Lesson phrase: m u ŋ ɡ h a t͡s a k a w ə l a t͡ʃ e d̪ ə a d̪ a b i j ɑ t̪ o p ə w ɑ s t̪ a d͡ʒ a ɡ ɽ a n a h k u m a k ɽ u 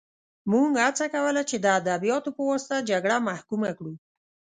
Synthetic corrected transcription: m u ŋ ɡ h a t͡s a k a w ə l a t͡ʃ e d̪ ə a d̪ a b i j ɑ t̪ o p ə w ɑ s t̪ a d͡ʒ a ɡ ɽ a m a h k u m a k ɽ u